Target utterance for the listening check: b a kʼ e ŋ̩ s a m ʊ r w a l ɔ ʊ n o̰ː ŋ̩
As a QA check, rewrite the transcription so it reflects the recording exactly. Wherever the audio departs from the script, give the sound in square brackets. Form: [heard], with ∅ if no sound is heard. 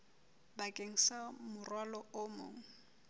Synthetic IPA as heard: b a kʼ e ŋ̩ s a m ʊ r w a l ɔ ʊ [m] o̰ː ŋ̩